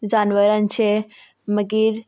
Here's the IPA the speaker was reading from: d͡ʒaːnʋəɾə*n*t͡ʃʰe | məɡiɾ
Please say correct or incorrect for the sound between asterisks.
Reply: correct